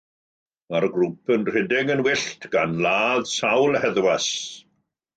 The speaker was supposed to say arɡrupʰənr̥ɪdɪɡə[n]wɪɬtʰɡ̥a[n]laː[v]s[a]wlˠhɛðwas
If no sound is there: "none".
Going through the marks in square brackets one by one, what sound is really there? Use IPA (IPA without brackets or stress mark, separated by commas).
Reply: n, n, ð, a